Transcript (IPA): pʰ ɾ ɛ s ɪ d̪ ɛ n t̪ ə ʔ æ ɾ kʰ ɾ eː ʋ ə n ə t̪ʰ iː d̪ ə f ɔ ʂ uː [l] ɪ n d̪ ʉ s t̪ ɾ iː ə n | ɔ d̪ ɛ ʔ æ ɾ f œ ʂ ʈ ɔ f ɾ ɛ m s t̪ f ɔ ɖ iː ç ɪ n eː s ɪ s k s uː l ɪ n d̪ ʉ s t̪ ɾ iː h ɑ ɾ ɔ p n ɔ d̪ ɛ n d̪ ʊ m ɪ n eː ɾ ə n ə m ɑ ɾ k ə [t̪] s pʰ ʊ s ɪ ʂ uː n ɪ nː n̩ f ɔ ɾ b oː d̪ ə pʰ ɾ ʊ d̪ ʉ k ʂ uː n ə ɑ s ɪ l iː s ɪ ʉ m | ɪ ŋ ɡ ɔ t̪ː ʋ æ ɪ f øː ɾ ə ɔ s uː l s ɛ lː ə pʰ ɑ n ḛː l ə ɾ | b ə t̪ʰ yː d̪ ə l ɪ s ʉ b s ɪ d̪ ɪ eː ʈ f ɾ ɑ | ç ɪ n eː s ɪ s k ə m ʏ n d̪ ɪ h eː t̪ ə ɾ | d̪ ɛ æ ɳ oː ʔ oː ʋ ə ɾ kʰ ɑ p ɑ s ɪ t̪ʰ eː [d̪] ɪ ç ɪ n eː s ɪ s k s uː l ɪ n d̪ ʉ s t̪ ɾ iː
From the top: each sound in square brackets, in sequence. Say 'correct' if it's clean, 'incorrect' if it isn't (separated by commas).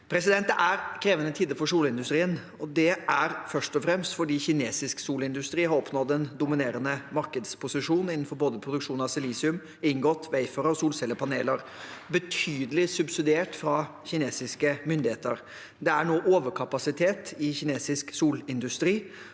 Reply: correct, incorrect, incorrect